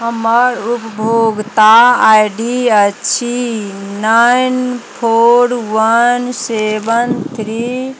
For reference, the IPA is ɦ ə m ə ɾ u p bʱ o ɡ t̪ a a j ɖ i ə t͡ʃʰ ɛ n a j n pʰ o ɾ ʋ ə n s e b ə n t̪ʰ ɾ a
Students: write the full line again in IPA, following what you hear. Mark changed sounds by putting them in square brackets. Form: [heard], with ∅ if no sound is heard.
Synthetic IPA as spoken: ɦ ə m ə ɾ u p bʱ o ɡ t̪ a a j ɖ i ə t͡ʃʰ [i] n a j n pʰ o ɾ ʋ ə n s e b ə n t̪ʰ ɾ [i]